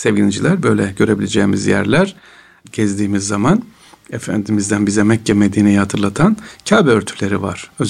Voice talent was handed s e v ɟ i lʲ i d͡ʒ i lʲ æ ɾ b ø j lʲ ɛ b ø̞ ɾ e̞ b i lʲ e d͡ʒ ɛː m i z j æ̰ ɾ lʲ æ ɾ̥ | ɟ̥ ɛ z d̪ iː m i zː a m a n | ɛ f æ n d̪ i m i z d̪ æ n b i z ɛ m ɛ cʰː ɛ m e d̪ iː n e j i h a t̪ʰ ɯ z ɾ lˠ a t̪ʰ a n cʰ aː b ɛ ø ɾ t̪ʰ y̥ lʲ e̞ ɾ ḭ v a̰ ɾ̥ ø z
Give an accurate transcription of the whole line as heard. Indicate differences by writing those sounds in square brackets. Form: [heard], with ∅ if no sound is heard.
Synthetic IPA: s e v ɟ i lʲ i d͡ʒ i lʲ æ ɾ b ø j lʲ ɛ [ɟ] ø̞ ɾ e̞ b i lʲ e d͡ʒ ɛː m i z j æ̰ ɾ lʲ æ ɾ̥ | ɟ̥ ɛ z d̪ iː m i zː a m a n | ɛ f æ n d̪ i m i z d̪ æ n b i z ɛ m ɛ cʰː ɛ m e d̪ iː n e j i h a t̪ʰ ɯ [∅] ɾ lˠ a t̪ʰ a n cʰ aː b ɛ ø ɾ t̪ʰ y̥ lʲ e̞ ɾ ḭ v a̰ ɾ̥ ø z